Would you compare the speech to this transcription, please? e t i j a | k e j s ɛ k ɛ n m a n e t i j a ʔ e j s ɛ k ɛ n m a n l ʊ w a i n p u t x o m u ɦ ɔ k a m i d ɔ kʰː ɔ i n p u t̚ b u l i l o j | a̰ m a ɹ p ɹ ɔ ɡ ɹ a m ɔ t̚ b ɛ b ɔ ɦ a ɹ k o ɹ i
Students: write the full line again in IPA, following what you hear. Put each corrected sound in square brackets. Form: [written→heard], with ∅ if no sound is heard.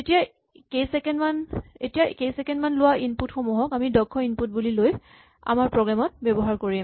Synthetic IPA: e t i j a | k e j s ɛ k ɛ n m a n e t i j a [ʔ→k] e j s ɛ k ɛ n m a n l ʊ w a i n p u t x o m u ɦ ɔ k a m i d ɔ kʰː ɔ i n p u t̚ b u l i l o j | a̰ m a ɹ p ɹ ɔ ɡ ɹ a m ɔ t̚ b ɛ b ɔ ɦ a ɹ k o ɹ i